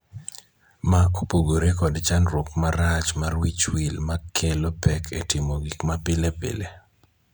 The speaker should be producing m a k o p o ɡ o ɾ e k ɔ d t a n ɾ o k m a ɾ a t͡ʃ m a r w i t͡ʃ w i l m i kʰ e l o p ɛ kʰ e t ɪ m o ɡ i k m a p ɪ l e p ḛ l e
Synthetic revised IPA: m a k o p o ɡ o ɾ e k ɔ d t͡ʃ a n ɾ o k m a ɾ a t͡ʃ m a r w i t͡ʃ w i l m a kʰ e l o p ɛ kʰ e t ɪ m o ɡ i k m a p ɪ l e p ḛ l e